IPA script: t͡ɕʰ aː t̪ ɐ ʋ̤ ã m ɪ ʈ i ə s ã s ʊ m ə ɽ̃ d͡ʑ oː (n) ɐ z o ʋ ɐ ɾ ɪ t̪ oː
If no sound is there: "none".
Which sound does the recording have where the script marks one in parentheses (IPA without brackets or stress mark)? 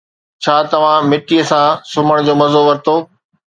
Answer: m